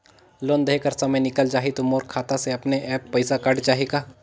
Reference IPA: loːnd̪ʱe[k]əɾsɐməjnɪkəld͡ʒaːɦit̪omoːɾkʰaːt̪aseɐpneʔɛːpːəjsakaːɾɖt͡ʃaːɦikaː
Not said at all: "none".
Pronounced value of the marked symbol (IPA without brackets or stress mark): k